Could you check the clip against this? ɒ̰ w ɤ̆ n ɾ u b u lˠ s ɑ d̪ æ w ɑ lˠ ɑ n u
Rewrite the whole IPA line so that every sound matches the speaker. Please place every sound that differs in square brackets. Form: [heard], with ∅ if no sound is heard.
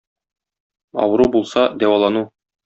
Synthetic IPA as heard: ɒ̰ w ɤ̆ [∅] ɾ u b u lˠ s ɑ d̪ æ w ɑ lˠ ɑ n u